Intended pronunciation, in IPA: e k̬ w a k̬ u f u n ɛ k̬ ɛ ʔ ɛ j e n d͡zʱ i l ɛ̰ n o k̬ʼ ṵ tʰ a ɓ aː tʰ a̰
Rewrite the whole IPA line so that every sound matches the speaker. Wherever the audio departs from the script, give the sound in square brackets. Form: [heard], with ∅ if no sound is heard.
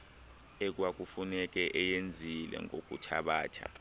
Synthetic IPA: e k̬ w a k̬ u f u n ɛ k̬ ɛ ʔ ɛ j e n d͡zʱ i l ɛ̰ [ŋ] o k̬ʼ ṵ tʰ a ɓ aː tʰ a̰